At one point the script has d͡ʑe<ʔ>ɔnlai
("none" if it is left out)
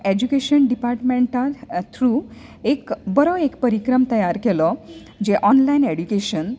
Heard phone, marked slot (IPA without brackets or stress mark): ʔ